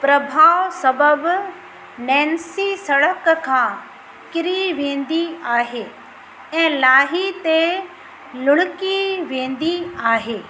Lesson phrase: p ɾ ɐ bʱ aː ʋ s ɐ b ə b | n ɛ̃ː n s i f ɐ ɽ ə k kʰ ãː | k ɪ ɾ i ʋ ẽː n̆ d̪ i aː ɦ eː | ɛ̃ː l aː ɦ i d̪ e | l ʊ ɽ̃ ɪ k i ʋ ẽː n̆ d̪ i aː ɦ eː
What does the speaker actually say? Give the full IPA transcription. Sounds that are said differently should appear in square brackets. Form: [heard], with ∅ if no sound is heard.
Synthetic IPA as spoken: p ɾ ɐ bʱ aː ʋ s ɐ b ə b | n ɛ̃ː n s i [s] ɐ ɽ ə k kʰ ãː | k ɪ ɾ i ʋ ẽː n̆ d̪ i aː ɦ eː | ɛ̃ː l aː ɦ i [t̪] e | l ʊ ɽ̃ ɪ k i ʋ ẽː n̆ d̪ i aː ɦ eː